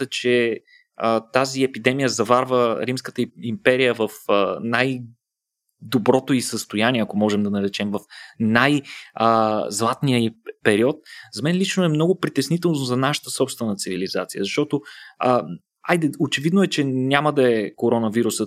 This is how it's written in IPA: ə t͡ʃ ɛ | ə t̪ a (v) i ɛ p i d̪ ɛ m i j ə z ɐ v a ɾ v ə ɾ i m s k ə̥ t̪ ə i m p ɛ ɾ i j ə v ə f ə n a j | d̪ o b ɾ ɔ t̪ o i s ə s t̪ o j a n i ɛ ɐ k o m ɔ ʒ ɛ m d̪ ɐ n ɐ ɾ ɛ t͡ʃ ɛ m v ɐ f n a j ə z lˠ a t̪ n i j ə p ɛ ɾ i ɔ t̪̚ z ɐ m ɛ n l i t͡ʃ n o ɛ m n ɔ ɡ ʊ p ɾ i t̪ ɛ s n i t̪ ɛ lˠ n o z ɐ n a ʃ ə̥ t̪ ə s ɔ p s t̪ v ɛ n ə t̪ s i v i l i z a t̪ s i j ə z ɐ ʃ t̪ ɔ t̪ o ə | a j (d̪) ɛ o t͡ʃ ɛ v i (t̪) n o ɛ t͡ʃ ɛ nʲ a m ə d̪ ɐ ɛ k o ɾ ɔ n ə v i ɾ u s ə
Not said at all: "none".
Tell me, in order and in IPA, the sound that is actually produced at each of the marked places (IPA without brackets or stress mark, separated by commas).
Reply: z, d̪, d̪